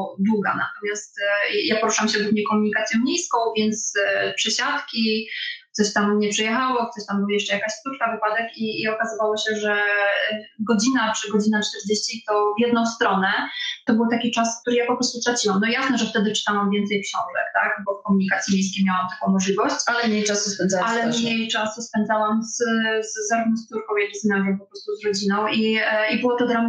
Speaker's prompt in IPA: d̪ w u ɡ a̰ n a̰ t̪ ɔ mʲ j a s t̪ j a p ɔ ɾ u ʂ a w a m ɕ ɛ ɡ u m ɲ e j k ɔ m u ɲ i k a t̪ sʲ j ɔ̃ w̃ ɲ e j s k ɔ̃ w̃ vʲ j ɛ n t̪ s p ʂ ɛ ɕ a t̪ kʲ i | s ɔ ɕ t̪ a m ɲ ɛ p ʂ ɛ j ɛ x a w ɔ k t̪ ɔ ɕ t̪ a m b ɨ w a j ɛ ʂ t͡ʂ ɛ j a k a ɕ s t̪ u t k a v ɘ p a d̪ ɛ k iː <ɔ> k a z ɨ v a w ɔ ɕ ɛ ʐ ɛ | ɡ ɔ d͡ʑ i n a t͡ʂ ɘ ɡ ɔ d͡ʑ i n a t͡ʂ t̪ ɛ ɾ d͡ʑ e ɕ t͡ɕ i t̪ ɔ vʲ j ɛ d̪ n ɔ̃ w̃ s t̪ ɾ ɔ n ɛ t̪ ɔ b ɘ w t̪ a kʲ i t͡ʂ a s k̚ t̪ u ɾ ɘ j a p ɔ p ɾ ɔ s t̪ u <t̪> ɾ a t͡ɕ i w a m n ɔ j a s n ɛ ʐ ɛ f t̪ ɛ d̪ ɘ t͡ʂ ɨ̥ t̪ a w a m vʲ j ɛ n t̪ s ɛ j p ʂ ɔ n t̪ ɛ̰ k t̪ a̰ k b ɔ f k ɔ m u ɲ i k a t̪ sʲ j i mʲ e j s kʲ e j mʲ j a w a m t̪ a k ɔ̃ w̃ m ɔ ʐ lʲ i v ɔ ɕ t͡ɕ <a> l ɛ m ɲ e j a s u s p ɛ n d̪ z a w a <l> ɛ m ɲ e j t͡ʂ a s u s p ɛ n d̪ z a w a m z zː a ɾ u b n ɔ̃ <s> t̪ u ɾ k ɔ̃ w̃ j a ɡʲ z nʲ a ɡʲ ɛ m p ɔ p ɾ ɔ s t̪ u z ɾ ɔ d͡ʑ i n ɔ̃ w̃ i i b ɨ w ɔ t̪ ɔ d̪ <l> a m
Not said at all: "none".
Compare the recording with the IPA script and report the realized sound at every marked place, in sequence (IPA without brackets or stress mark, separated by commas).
ɔ, t̪, a, l, s, ɾ